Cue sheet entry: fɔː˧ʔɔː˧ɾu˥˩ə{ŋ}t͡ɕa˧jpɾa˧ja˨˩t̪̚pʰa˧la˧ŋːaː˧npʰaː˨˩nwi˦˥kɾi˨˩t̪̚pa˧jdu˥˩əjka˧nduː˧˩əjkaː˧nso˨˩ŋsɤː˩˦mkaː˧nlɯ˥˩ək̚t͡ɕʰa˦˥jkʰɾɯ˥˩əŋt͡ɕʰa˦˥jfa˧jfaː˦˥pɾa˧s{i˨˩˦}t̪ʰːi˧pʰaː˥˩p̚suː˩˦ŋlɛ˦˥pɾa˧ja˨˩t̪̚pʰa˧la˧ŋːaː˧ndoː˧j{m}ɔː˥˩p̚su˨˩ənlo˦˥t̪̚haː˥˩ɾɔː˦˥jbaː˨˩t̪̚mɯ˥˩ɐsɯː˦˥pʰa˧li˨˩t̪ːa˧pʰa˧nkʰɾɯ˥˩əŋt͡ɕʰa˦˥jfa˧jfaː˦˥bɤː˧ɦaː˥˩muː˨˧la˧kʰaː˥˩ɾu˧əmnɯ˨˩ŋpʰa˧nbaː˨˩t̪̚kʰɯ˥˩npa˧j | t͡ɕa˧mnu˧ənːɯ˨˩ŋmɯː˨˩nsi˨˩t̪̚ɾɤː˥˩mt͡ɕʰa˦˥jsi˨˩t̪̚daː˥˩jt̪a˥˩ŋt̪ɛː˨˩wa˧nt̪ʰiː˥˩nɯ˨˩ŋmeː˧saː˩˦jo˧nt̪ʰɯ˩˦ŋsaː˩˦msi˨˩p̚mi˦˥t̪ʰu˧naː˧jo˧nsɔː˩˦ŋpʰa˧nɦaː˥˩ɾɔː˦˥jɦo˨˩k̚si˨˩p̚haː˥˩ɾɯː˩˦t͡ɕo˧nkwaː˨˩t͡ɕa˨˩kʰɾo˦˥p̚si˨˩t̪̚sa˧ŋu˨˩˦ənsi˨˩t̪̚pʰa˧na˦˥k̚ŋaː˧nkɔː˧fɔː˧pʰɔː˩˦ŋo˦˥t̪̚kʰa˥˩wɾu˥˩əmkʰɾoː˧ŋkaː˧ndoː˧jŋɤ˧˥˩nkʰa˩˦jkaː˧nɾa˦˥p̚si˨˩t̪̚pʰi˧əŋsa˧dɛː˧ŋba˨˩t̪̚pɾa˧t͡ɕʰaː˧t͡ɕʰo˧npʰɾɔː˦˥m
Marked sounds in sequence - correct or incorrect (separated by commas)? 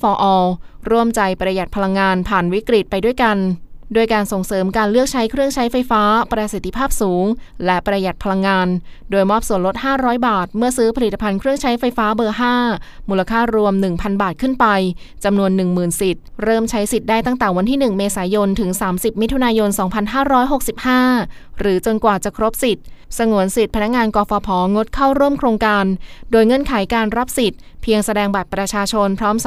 incorrect, incorrect, correct